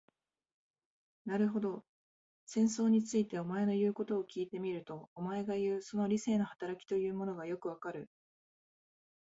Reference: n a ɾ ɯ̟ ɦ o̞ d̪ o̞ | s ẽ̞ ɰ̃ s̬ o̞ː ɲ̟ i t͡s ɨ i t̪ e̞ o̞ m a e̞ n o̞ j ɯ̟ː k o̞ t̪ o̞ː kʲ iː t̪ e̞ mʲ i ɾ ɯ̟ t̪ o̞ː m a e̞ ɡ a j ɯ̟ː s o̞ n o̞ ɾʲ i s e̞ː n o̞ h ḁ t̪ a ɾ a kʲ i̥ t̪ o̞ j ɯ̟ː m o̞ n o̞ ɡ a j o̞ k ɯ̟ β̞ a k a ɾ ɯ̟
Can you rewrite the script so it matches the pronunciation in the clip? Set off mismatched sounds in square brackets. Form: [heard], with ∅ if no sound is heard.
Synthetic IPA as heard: n a ɾ ɯ̟ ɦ o̞ d̪ o̞ | s ẽ̞ ɰ̃ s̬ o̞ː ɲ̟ i t͡s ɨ i t̪ e̞ o̞ m a e̞ n o̞ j ɯ̟ː k o̞ t̪ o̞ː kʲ iː t̪ e̞ mʲ i ɾ ɯ̟ t̪ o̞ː m a e̞ ɡ a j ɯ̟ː s o̞ n o̞ ɾʲ i s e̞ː n o̞ h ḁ t̪ a ɾ a kʲ i̥ t̪ o̞ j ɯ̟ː m o̞ n o̞ ɡ a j o̞ k ɯ̟ β̞ a k a ɾ ɯ̟